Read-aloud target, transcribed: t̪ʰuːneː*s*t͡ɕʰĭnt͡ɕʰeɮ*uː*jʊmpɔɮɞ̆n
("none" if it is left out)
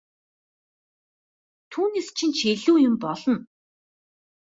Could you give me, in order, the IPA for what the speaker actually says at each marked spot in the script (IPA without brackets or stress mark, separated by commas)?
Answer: s, uː